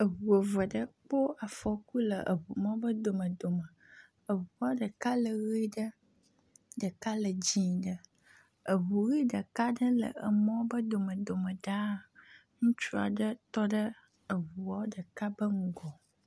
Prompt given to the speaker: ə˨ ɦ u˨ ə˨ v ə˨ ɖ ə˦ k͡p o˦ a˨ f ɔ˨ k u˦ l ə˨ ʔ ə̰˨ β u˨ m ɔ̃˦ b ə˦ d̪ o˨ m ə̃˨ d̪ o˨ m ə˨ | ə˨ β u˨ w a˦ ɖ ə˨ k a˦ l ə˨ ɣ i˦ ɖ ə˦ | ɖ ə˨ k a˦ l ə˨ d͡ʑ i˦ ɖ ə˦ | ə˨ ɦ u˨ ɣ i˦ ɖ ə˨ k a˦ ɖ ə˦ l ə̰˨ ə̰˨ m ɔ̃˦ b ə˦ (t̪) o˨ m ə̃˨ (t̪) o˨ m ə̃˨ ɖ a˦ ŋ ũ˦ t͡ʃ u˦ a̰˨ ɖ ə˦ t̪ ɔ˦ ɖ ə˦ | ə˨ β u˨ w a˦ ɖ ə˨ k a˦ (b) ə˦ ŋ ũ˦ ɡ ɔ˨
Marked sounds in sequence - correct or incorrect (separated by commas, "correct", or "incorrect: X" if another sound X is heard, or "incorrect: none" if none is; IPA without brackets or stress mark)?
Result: incorrect: d̪, incorrect: d̪, correct